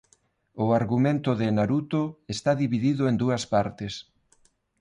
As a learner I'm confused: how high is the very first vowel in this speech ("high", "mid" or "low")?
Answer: high